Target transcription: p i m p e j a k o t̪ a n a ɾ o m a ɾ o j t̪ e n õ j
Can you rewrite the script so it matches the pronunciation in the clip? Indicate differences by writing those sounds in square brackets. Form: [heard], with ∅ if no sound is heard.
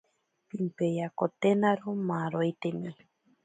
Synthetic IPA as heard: p i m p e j a k o t̪ [e] n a ɾ o m a ɾ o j t̪ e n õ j